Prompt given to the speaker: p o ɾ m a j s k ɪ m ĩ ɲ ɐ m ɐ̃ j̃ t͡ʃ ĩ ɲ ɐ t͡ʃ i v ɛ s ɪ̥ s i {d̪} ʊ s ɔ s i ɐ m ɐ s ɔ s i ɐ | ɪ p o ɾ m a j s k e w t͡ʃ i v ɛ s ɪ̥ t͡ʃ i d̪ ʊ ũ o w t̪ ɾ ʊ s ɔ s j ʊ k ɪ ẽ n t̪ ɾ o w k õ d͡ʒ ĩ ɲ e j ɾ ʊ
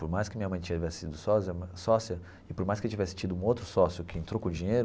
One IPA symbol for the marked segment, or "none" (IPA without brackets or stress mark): d̪